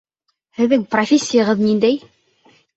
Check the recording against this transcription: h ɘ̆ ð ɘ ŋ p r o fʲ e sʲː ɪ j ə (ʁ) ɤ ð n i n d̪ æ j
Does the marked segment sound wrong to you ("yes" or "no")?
no